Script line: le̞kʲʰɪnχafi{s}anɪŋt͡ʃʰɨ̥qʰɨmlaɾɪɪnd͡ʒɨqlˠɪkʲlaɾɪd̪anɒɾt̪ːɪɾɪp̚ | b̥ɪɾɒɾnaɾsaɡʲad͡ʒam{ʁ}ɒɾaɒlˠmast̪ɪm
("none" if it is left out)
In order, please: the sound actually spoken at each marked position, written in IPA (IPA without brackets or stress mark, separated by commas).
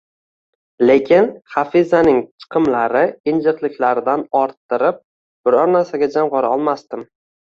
z, ʁ